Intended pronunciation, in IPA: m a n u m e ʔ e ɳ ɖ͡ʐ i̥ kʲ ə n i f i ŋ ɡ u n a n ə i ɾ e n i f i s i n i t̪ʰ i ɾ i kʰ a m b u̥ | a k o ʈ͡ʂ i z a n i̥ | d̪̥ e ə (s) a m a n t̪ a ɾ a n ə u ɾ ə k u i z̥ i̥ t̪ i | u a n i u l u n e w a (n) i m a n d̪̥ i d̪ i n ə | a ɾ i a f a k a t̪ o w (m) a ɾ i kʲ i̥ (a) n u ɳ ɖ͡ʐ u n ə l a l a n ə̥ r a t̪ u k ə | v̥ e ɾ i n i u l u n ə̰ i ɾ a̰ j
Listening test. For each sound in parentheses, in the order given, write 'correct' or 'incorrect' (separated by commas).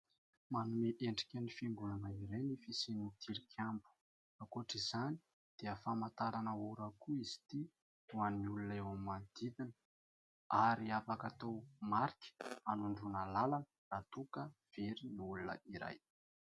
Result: incorrect, incorrect, correct, correct